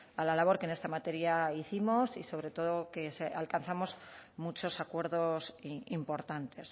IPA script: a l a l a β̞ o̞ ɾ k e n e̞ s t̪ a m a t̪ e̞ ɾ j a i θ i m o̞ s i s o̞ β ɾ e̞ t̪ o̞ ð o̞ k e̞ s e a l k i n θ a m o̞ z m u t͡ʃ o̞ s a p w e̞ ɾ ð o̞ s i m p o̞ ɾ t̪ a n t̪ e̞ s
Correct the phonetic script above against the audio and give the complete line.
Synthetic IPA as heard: a l a l a β̞ o̞ ɾ k e n e̞ s t̪ a m a t̪ e̞ ɾ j a i θ i m o̞ s i s o̞ β ɾ e̞ t̪ o̞ ð o̞ k e̞ s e a l k a n θ a m o̞ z m u t͡ʃ o̞ s a k w e̞ ɾ ð o̞ s i m p o̞ ɾ t̪ a n t̪ e̞ s